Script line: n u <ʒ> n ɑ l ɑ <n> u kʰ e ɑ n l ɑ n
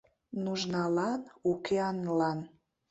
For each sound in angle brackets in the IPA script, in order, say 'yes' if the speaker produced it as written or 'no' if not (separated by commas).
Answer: yes, yes